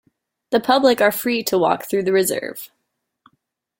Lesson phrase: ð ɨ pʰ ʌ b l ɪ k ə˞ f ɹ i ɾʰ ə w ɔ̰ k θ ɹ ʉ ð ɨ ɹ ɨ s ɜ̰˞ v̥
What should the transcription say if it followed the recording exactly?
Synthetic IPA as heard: ð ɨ pʰ ʌ b l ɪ k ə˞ f ɹ i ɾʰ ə w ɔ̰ k θ ɹ ʉ ð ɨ ɹ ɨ z ɜ̰˞ v̥